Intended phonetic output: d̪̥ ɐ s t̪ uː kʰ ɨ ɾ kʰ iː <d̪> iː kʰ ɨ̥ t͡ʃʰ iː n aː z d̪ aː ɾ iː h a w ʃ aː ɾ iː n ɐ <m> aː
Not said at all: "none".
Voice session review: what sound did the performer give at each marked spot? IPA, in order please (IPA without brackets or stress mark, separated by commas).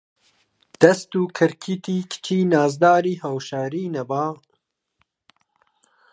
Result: t̪, b